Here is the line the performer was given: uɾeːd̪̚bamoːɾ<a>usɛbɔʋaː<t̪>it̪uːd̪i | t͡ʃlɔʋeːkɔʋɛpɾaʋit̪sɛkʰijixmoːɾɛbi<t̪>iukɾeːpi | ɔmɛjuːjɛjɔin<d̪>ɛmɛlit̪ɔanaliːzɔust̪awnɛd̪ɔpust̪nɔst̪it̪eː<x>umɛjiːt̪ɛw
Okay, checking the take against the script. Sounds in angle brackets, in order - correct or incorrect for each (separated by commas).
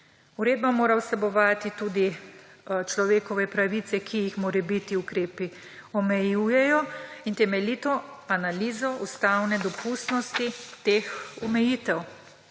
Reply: correct, correct, correct, incorrect, correct